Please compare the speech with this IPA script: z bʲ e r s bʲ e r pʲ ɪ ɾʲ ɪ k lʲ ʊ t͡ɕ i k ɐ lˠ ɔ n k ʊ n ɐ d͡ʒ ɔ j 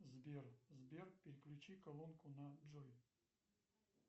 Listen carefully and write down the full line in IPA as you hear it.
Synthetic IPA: z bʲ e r z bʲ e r pʲ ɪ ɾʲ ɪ k lʲ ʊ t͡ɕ i k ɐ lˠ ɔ n k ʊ n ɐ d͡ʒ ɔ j